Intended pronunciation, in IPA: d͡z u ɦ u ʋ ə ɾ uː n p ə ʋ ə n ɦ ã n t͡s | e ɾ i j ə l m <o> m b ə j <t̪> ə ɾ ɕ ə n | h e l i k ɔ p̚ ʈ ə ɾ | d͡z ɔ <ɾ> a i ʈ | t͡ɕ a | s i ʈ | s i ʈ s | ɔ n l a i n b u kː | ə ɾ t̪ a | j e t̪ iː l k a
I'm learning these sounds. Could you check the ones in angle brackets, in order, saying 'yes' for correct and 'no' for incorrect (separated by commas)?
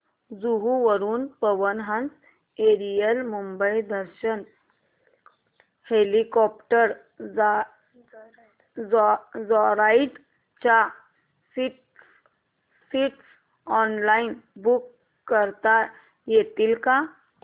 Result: no, no, yes